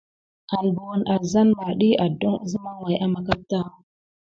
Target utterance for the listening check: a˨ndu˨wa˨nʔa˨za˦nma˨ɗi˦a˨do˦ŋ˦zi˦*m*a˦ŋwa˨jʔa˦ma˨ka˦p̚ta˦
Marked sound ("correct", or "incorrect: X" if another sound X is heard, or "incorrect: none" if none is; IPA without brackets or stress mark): correct